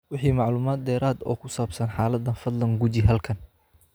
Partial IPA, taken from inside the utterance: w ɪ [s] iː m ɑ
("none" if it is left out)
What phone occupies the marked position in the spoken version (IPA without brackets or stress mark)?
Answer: ħ